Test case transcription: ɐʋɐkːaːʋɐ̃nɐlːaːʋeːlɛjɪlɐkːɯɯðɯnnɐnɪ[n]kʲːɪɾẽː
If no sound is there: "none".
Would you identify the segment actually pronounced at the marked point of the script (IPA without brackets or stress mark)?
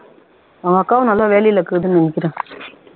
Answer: none